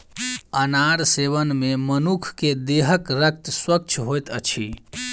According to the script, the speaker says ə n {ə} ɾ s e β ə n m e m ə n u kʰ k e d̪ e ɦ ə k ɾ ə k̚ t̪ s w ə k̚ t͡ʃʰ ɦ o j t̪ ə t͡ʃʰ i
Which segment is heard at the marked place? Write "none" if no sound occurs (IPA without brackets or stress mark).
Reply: a